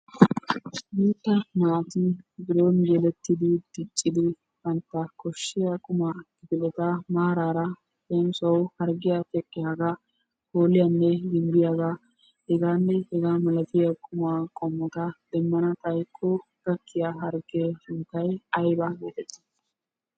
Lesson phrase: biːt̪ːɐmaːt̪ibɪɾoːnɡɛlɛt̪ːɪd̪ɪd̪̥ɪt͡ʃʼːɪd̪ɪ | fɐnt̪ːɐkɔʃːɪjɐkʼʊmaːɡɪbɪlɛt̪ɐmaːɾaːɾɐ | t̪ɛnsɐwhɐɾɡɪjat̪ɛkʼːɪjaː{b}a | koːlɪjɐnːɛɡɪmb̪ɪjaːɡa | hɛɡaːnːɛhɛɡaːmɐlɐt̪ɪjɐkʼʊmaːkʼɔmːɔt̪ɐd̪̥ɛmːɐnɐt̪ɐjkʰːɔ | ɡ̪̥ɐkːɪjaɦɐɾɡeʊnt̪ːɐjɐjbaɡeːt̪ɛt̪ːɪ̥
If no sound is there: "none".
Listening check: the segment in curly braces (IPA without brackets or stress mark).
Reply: ɡ